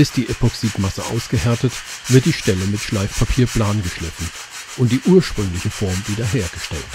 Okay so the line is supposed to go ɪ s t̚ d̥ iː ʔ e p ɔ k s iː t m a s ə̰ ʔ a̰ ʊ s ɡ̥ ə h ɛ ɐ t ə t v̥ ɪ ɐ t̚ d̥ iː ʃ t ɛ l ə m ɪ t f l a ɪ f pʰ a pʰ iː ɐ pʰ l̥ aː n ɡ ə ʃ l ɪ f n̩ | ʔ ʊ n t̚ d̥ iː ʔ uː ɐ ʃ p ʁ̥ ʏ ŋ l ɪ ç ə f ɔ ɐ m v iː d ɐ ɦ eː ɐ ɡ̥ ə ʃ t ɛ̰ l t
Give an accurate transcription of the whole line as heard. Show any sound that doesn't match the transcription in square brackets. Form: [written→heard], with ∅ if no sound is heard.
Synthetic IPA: ɪ s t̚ d̥ iː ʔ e p ɔ k s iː t m a s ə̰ ʔ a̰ ʊ s ɡ̥ ə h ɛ ɐ t ə t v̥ ɪ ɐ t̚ d̥ iː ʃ t ɛ l ə m ɪ t [f→ʃ] l a ɪ f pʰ a pʰ iː ɐ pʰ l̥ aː n ɡ ə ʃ l ɪ f n̩ | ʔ ʊ n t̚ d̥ iː ʔ uː ɐ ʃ p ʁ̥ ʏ ŋ l ɪ ç ə f ɔ ɐ m v iː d ɐ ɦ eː ɐ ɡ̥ ə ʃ t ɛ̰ l t